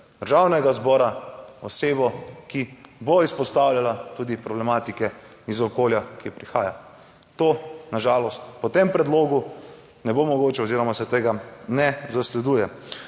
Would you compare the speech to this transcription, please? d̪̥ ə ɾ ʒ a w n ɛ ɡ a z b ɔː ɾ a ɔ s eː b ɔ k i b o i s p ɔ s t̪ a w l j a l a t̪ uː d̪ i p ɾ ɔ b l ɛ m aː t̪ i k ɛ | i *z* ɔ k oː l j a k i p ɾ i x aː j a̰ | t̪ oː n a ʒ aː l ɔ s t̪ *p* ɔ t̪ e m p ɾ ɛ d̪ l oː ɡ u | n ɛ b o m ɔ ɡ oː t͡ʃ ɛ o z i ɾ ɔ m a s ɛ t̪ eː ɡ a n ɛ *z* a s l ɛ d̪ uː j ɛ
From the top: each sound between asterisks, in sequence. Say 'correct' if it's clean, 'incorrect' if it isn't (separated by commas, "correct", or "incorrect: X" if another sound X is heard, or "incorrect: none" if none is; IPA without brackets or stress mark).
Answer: correct, correct, correct